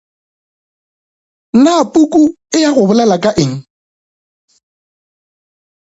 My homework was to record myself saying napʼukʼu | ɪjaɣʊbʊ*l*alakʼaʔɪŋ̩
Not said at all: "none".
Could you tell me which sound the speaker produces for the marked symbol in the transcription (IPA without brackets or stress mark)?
l